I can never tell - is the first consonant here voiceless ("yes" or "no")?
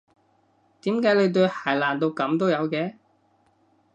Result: yes